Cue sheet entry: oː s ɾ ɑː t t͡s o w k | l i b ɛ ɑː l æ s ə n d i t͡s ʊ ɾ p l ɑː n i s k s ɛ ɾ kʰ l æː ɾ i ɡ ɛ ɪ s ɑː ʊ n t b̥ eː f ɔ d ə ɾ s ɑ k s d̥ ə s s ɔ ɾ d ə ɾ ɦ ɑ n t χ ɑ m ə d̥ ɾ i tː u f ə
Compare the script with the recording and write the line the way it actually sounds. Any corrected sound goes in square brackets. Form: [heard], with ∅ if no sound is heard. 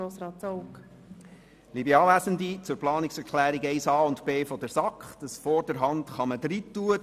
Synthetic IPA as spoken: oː s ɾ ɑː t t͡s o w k | l i b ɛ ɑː l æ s ə n d i t͡s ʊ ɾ p l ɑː n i [∅] k s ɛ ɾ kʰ l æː ɾ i ɡ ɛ ɪ s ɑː ʊ n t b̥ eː f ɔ d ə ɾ s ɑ k [χ] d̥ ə s [f] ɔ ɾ d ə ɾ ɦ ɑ n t χ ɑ m ə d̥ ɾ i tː u [∅] ə